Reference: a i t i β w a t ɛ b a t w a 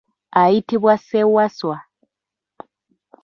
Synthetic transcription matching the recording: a i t i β w a s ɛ w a s w a

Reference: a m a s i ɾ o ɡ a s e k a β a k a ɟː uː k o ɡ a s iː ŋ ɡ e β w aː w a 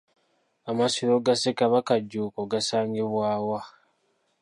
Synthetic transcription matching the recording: a m a s i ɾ o ɡ a s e k a β a k a ɟː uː k o ɡ a s aː ŋ ɡ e β w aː w a

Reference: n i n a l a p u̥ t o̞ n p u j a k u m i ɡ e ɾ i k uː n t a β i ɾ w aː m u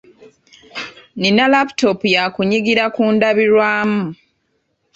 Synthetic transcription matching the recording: n i n a l a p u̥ t o̞ p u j a k u ɲ i ɡ i ɾ a k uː n d a β i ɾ w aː m u

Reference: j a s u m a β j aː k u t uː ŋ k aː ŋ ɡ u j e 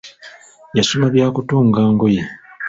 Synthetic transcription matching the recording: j a s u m a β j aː k u t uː ŋ ɡ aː ŋ ɡ o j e

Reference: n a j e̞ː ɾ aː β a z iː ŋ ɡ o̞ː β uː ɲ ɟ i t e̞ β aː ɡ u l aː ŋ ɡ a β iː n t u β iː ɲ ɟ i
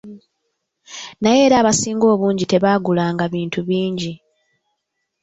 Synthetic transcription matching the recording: n a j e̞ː ɾ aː β a s iː ŋ ɡ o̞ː β uː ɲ ɟ i t e̞ β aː ɡ u l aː ŋ ɡ a β iː n t u β iː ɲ ɟ i

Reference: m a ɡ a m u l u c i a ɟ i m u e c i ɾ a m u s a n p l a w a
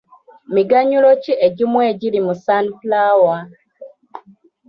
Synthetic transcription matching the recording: m i ɡ a ɲ u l o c i e ɟ i m w e ɟ i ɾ i m u s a n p l a w a

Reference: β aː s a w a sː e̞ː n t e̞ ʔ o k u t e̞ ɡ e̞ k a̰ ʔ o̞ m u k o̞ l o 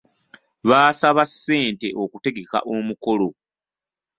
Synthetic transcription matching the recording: β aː s a β a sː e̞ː n t e̞ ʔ o k u t e̞ ɡ e̞ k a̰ ʔ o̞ m u k o̞ l o

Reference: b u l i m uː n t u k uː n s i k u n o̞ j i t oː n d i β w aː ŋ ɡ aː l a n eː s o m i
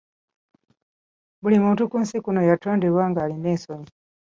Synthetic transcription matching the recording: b u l i m uː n t u k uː n s i k u n o̞ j a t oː n d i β w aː ŋ ɡ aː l i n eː s o ɲ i

